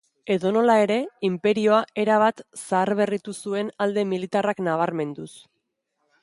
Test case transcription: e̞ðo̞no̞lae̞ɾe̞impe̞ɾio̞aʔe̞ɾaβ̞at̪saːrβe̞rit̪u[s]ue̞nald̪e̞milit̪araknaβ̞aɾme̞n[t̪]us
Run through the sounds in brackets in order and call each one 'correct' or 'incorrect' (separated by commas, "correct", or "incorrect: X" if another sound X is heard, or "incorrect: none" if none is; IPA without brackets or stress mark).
correct, incorrect: d̪